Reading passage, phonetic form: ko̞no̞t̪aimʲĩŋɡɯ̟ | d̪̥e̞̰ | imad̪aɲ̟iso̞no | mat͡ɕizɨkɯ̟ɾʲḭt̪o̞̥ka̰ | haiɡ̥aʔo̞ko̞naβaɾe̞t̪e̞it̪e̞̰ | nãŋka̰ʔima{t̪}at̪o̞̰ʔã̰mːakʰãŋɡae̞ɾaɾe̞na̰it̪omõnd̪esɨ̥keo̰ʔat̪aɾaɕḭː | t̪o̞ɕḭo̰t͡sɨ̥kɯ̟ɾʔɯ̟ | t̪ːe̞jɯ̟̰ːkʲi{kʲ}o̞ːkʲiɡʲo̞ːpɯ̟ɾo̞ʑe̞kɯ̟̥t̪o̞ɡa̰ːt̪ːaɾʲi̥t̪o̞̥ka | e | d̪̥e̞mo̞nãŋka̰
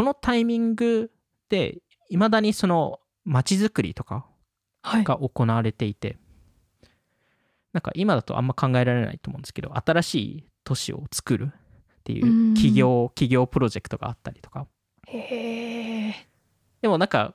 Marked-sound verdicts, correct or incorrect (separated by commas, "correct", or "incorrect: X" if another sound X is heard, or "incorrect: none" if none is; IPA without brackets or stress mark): incorrect: d̪, incorrect: ɡʲ